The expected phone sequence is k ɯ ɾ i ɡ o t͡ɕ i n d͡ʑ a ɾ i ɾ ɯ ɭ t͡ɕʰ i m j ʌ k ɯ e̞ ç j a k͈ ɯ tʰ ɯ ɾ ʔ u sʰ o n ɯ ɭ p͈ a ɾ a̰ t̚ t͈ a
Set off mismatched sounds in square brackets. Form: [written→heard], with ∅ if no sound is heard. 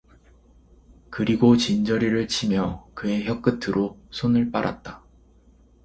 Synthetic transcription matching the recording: k ɯ ɾ i ɡ o t͡ɕ i n d͡ʑ [a→ʌ] ɾ i ɾ ɯ ɭ t͡ɕʰ i m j ʌ k ɯ e̞ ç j [a→ʌ] k͈ ɯ tʰ ɯ ɾ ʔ [u→o] sʰ o n ɯ ɭ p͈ a ɾ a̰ t̚ t͈ a